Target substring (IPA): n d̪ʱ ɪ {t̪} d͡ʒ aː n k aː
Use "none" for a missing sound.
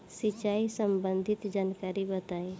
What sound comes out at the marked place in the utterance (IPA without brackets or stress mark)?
t̪